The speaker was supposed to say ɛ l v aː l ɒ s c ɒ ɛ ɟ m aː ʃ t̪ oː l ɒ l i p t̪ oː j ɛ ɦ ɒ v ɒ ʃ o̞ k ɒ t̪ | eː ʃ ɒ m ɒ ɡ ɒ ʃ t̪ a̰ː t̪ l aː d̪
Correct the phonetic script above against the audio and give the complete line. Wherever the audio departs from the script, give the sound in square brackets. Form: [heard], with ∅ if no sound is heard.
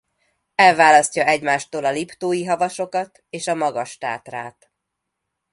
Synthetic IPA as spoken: ɛ l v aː l ɒ s c ɒ ɛ ɟ m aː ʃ t̪ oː l ɒ l i p t̪ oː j [i] ɦ ɒ v ɒ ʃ o̞ k ɒ t̪ | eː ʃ ɒ m ɒ ɡ ɒ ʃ t̪ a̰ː t̪ [r] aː [t̪]

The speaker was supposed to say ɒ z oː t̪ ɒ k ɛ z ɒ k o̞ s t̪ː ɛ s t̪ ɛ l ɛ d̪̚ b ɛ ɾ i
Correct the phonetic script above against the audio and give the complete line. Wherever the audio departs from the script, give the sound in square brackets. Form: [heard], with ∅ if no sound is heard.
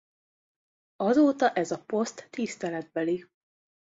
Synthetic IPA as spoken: ɒ z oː t̪ ɒ [ʔ] ɛ z ɒ [p] o̞ s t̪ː [i] s t̪ ɛ l ɛ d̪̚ b ɛ [l] i

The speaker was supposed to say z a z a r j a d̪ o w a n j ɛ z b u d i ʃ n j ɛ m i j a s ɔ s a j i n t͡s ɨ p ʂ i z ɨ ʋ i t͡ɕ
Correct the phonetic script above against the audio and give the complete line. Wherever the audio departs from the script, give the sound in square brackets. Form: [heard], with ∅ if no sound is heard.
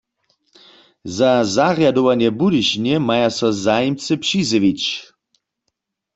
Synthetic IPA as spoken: z a z a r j a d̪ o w a n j ɛ [∅] b u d i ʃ n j ɛ m [a] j a s ɔ [z] a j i [m] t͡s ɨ p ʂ i z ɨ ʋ i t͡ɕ

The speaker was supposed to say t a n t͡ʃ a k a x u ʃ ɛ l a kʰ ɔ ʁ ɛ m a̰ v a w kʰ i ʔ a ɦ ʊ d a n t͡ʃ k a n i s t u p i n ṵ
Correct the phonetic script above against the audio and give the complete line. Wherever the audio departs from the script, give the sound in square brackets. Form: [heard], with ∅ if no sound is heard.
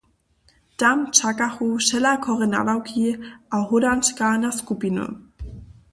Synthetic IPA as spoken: t a [m] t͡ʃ a k a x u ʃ ɛ l a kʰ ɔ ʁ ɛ [n] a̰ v a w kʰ i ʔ a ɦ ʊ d a n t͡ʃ k a n [a] s [k] u p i n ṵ

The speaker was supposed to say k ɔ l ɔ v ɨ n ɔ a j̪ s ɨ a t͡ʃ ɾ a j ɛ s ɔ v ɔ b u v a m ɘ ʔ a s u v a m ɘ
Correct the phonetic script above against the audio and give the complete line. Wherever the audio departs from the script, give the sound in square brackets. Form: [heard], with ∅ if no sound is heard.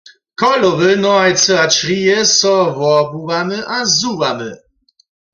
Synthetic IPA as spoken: k ɔ l ɔ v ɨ n ɔ a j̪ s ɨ a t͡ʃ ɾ [i] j ɛ s ɔ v ɔ b u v a m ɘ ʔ a [z] u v a m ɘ

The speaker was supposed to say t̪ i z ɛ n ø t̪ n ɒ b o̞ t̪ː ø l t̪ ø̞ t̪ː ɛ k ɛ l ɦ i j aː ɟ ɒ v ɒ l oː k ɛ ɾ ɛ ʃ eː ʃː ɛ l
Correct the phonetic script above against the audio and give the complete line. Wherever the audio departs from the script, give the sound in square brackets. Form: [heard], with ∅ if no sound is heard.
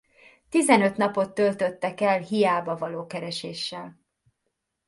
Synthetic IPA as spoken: t̪ i z ɛ n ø t̪ n ɒ [p] o̞ t̪ː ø l t̪ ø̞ t̪ː ɛ k ɛ l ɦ i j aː [b] ɒ v ɒ l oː k ɛ ɾ ɛ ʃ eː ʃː ɛ l

